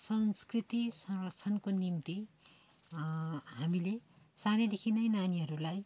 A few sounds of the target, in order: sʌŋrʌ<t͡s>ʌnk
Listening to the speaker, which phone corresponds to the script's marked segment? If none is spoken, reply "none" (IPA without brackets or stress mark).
t͡sʰ